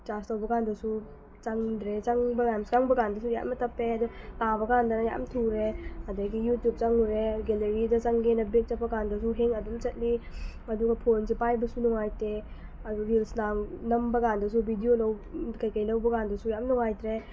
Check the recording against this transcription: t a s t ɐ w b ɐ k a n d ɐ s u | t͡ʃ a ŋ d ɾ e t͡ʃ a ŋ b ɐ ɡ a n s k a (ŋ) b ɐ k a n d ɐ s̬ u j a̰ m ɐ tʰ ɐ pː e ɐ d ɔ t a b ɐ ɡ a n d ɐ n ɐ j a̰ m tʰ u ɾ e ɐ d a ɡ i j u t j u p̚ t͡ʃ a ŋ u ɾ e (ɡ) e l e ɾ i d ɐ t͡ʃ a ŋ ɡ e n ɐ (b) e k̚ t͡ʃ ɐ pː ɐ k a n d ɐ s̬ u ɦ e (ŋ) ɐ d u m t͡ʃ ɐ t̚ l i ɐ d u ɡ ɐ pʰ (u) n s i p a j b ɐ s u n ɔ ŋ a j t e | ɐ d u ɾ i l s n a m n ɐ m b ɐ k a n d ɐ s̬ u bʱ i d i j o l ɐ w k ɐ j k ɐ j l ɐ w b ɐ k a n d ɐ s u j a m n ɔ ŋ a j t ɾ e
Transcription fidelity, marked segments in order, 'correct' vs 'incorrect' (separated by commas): correct, correct, correct, correct, incorrect